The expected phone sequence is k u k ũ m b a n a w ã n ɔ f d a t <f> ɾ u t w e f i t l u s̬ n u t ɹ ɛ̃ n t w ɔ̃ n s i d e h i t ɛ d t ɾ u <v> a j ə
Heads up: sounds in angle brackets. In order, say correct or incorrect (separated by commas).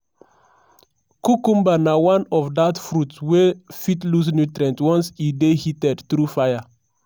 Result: correct, incorrect